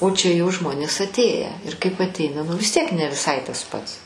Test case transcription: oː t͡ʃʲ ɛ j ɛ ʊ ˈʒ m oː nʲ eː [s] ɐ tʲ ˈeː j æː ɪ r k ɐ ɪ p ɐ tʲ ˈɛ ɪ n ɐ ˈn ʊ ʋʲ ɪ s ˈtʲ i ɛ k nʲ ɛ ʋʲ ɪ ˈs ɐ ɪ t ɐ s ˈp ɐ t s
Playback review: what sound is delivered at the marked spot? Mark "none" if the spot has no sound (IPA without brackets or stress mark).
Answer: s